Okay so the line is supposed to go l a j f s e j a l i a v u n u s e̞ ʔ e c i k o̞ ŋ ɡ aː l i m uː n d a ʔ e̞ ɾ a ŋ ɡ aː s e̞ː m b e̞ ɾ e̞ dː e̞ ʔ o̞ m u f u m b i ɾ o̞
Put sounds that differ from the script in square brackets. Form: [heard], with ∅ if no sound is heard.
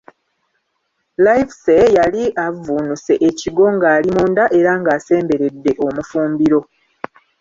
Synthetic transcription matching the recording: l a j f s e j a l i a v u n u s e̞ ʔ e c i [ɡ] o̞ ŋ ɡ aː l i m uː n d a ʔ e̞ ɾ a ŋ ɡ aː s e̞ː m b e̞ ɾ e̞ dː e̞ ʔ o̞ m u f [uː] m b i ɾ o̞

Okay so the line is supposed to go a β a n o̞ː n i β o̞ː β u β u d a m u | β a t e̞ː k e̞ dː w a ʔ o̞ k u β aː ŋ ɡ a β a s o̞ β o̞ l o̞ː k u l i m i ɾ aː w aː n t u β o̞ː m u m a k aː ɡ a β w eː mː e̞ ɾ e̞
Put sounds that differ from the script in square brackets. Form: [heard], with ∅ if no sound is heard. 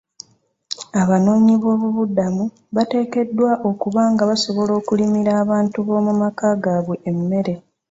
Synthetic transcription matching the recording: a β a n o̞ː [ɲ] i β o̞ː β u β u d a m u | β a t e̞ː k e̞ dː w a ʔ o̞ k u β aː ŋ ɡ a β a s o̞ β o̞ l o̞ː k u l i m i ɾ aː [β] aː n t u β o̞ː m u m a k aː ɡ a β w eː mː e̞ ɾ e̞

